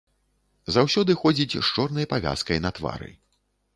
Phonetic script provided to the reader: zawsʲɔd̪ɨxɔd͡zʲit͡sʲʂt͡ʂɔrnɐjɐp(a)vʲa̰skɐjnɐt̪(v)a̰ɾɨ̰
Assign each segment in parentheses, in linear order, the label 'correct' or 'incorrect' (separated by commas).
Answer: correct, correct